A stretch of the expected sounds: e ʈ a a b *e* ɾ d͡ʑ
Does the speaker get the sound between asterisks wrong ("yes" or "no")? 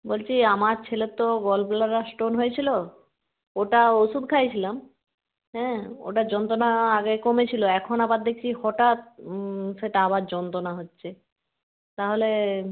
yes